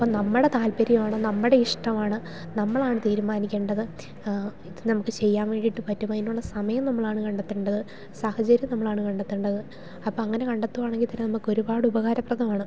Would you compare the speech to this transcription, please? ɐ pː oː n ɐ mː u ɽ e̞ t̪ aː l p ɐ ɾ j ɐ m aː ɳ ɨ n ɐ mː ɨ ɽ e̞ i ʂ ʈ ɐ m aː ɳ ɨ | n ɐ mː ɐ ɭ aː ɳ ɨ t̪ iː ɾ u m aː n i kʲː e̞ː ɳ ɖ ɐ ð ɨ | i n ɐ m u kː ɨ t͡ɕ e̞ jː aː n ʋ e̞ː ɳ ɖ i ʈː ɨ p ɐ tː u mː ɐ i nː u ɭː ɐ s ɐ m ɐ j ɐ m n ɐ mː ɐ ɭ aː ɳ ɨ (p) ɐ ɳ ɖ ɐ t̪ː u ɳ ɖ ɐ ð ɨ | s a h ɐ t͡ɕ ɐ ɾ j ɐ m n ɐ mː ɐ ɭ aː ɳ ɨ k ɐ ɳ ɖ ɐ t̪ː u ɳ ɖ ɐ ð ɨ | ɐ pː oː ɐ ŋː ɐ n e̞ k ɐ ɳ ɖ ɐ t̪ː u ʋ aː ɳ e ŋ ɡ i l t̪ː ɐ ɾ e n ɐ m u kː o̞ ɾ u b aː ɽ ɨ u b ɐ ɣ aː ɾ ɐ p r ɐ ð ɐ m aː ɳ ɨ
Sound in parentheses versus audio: incorrect: k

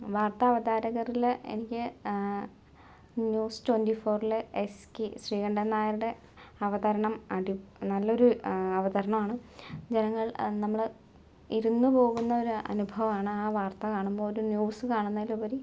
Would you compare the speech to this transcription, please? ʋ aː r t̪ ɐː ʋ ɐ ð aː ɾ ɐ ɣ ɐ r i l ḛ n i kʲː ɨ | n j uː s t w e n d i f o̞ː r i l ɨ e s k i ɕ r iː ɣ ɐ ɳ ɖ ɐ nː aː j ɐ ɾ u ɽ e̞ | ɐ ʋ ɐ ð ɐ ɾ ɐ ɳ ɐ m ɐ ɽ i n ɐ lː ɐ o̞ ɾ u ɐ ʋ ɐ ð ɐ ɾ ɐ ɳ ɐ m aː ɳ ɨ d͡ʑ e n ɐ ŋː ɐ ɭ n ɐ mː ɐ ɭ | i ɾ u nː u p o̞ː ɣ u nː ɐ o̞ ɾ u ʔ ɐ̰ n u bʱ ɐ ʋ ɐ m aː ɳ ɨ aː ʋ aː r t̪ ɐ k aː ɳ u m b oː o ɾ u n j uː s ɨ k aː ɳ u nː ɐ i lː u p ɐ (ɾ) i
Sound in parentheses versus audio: correct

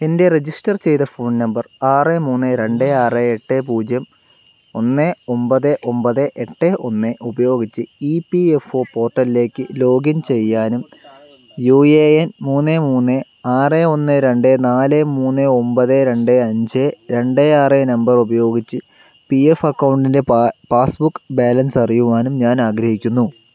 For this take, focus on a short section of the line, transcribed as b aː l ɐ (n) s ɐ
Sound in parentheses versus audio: correct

